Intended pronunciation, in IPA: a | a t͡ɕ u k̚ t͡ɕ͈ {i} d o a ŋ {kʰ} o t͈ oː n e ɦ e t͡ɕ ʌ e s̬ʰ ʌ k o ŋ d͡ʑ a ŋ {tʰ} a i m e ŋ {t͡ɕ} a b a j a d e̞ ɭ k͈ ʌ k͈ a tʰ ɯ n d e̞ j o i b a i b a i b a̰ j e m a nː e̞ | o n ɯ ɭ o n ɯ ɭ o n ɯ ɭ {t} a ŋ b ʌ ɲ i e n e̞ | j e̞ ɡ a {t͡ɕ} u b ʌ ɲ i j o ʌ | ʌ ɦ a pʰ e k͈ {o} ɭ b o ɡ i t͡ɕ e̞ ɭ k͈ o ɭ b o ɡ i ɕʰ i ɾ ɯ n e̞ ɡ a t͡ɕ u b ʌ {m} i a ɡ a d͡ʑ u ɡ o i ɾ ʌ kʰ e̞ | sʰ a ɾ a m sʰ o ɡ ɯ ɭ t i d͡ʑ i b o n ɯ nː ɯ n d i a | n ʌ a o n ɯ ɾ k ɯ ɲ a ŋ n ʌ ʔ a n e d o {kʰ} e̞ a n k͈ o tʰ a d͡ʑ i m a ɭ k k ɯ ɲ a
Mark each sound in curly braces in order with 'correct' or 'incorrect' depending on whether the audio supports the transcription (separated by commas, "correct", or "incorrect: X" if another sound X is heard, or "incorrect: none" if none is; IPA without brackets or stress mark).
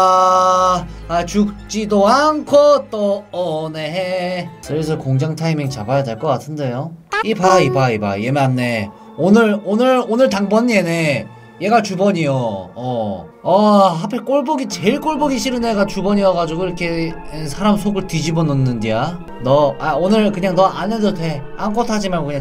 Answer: correct, correct, correct, correct, correct, correct, correct, incorrect: ɲ, incorrect: tʰ